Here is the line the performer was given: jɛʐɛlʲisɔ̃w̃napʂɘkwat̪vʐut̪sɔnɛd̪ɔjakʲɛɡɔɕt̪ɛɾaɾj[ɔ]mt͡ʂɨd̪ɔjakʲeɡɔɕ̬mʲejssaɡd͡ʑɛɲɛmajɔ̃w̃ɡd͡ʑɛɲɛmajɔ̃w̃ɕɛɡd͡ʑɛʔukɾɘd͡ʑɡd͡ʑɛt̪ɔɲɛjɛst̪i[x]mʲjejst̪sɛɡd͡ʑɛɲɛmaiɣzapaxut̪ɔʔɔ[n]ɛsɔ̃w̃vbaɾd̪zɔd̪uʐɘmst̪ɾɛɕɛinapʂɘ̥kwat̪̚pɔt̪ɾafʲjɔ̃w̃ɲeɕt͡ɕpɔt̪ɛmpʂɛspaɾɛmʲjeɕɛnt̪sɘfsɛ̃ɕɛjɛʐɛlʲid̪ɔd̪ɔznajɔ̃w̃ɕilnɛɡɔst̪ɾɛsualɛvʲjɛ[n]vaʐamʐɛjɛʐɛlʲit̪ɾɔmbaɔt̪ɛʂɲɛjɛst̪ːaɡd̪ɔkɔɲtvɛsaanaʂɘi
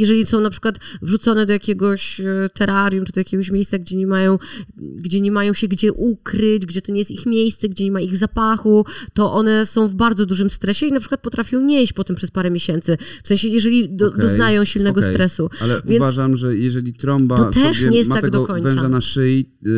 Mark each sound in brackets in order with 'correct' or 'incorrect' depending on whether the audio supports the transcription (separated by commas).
incorrect, correct, correct, correct